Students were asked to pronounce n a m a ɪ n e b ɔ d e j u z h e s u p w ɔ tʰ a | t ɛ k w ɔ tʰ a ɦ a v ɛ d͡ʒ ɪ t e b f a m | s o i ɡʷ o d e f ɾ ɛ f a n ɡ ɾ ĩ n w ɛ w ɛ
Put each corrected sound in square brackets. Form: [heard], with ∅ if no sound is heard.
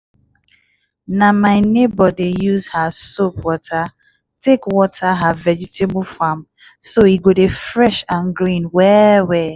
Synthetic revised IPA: n a m a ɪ n e b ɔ d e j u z h [a] s [o] p w ɔ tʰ a | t [e] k w ɔ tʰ a ɦ a v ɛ d͡ʒ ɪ t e b f a m | s o i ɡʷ o d e f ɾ ɛ [ʃ] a n ɡ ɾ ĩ n w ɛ w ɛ